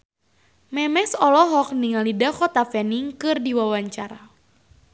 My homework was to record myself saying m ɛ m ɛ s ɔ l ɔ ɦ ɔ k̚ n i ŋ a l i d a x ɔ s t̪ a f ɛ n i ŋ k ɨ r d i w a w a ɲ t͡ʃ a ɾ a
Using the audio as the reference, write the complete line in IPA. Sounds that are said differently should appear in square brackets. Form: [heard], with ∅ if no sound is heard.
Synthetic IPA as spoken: m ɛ m ɛ s ɔ l ɔ ɦ ɔ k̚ n i ŋ a l i d a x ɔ [∅] t̪ a f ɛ n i ŋ k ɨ r d i w a w a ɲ t͡ʃ a ɾ a